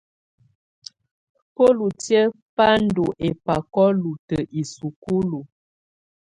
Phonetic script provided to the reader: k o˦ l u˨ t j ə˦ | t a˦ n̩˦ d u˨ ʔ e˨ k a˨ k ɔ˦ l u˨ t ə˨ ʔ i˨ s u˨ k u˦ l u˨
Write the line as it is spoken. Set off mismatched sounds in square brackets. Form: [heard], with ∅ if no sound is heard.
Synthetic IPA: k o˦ l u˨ t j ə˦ | [p] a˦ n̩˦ d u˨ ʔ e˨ [p] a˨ k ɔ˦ l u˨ t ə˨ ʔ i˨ s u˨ k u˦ l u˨